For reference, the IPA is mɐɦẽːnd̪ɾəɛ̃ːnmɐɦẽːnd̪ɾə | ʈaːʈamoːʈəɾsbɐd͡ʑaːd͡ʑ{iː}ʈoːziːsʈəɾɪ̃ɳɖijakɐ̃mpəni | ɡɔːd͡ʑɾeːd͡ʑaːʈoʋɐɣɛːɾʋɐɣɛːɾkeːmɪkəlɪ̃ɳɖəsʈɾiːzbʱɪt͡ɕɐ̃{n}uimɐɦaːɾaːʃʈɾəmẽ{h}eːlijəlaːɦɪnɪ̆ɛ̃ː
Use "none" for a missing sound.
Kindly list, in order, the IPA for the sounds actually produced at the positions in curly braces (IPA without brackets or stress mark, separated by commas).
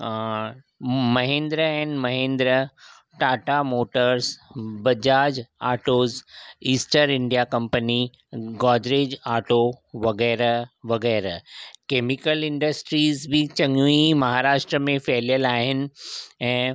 aː, ŋ, f